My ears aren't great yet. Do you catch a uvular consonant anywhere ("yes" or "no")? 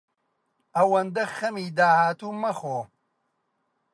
no